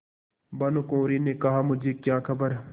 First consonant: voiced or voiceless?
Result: voiced